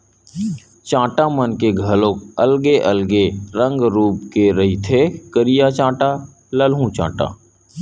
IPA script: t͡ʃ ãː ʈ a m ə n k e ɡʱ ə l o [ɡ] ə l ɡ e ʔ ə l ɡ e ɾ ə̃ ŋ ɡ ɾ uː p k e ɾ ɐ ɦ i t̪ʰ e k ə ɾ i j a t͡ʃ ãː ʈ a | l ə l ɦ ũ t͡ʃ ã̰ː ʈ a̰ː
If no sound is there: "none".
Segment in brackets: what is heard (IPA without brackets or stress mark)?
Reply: k